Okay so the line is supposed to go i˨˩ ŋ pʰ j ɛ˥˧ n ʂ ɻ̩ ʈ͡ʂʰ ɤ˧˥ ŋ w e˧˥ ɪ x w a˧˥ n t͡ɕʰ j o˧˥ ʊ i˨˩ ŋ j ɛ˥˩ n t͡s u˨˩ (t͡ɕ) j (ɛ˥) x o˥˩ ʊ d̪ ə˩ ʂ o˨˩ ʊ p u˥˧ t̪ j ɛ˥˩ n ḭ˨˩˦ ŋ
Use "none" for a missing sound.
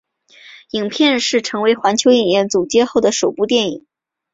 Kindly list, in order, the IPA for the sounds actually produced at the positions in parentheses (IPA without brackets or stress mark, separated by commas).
t͡ɕ, ɛ˥